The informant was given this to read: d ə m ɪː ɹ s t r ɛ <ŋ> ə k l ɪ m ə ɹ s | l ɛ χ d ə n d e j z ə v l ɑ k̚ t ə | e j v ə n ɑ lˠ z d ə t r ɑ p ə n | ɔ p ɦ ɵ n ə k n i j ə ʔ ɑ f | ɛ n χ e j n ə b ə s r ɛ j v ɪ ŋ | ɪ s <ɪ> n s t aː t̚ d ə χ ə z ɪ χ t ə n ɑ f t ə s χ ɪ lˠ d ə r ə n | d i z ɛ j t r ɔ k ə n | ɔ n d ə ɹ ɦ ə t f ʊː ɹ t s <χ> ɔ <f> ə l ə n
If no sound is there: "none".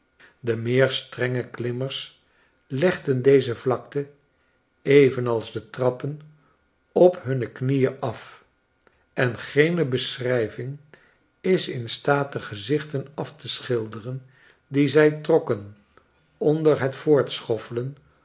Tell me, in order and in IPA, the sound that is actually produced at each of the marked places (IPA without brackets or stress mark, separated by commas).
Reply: ŋ, ɪ, χ, f